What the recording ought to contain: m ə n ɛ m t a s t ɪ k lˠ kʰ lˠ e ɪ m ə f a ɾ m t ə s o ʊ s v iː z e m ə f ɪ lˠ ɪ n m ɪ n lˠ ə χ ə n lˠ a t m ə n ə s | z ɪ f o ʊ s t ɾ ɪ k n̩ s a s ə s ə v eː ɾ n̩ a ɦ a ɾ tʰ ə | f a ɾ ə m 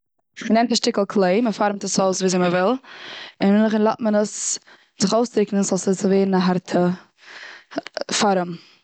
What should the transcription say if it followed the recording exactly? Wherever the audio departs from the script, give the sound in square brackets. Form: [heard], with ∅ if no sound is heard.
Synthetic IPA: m ə n ɛ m t a [ʃ] t ɪ k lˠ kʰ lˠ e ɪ m ə f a ɾ m t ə s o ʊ s v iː z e m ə [v] ɪ lˠ ɪ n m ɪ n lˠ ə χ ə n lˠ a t m ə n ə s | z ɪ [χ] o ʊ s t ɾ ɪ k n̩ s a s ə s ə v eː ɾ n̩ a ɦ a ɾ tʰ ə | f a ɾ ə m